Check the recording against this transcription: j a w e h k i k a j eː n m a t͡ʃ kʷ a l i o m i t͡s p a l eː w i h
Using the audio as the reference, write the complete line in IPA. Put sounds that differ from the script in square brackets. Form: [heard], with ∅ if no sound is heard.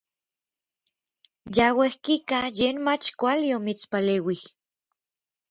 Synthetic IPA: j a w e h k i k a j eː n m a t͡ʃ kʷ a l i o m i t͡s p a l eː w i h

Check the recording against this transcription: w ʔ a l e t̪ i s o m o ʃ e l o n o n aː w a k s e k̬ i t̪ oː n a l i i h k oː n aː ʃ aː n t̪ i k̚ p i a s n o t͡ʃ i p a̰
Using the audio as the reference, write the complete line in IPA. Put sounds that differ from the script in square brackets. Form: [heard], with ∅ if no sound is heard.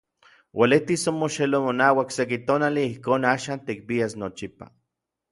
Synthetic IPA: w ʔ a l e t̪ i s o m o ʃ e l o [m] o n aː w a k s e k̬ i t̪ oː n a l i i h k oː n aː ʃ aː n t̪ i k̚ p i a s n o t͡ʃ i p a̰

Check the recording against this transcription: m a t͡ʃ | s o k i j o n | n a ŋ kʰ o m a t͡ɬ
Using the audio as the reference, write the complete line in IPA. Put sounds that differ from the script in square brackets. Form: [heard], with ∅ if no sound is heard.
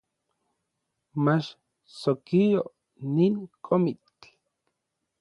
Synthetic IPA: m a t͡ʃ | s o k i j o [∅] | n [i] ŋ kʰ o m [i] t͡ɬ

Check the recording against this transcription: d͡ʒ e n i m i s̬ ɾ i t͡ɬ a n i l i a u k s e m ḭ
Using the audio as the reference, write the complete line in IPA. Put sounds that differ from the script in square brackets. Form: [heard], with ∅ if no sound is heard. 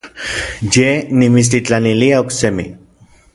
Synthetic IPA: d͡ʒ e n i m i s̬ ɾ i t͡ɬ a n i l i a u k s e m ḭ

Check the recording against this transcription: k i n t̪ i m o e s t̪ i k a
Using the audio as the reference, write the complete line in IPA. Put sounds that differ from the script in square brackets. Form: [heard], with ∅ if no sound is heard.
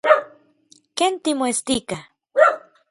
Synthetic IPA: k [e] n t̪ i m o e s t̪ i k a

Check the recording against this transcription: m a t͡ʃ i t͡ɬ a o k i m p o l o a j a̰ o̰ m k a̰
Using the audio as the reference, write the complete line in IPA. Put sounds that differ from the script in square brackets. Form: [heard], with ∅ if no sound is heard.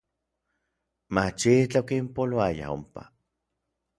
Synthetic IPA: m a t͡ʃ i t͡ɬ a o k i m p o l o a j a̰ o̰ m [p] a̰

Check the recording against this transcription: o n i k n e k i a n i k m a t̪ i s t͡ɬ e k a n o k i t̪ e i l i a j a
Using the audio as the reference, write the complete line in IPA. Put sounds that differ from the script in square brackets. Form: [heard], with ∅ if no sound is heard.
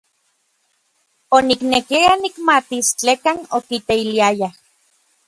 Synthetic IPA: o n i k n e k i a n i k m a t̪ i s t͡ɬ e k a n o k i t̪ e i l i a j a

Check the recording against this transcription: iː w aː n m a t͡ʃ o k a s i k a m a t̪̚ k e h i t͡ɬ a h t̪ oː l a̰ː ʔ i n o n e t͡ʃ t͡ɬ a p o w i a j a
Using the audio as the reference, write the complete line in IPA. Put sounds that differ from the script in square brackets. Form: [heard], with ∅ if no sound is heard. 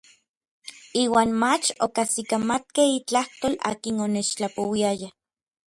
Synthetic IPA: iː w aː n m a t͡ʃ o k a s i k a m a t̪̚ k e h i t͡ɬ a h t̪ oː l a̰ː [k] i n o n e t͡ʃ t͡ɬ a p o w i a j a

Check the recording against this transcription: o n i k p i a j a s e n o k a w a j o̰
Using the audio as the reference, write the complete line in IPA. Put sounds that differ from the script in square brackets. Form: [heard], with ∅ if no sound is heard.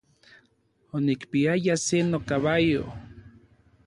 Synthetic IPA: o n i k p i a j a s e n o k a [β] a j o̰

